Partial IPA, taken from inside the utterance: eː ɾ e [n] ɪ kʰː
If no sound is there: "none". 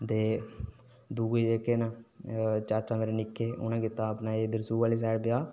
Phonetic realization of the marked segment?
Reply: n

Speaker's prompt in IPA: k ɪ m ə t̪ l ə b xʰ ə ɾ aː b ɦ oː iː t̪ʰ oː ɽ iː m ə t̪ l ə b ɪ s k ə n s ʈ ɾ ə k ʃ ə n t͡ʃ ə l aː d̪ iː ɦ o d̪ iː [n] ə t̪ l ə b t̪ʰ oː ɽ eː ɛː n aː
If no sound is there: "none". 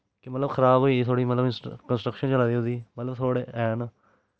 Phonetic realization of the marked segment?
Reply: m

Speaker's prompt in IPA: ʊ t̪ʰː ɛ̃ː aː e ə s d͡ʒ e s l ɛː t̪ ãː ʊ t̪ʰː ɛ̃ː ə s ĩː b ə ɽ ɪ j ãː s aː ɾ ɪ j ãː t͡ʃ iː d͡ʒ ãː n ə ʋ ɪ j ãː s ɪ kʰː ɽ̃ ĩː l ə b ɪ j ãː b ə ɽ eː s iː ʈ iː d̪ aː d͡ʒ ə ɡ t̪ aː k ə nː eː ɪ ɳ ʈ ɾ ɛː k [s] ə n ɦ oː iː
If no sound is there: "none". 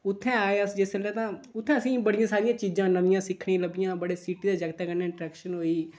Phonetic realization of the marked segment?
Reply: ʃ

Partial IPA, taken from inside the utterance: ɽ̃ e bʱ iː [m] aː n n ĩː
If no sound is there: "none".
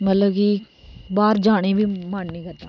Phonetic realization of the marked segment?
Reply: m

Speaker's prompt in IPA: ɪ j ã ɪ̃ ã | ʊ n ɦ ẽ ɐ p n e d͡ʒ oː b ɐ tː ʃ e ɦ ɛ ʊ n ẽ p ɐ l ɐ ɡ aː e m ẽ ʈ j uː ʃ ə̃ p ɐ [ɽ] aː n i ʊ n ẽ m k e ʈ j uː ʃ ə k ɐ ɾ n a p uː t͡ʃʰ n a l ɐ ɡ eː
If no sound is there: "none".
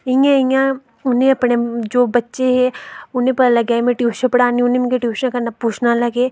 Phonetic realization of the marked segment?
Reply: ɽ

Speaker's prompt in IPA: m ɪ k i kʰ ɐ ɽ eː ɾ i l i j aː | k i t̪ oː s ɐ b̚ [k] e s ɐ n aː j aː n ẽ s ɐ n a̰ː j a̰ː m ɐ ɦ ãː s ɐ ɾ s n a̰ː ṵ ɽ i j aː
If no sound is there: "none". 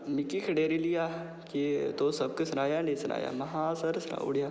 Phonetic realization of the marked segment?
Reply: k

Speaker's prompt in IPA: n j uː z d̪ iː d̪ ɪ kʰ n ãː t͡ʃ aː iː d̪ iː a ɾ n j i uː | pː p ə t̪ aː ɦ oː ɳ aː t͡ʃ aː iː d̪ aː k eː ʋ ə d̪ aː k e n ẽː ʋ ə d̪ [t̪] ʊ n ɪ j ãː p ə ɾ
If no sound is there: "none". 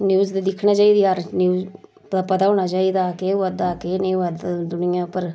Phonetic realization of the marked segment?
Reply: d̪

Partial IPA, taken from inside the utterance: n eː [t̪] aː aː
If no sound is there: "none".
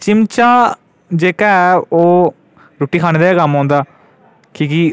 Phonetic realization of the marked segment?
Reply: d̪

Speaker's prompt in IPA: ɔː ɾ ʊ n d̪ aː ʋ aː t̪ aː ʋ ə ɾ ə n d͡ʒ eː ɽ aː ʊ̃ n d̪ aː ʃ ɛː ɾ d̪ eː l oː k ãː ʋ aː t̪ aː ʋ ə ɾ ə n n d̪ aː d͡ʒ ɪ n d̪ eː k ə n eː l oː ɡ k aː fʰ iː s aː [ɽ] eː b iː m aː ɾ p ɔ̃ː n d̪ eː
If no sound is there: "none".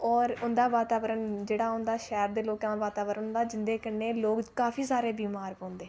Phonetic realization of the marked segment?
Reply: ɾ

